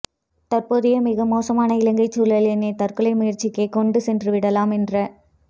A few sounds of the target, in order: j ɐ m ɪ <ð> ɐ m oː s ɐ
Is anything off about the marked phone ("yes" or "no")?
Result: yes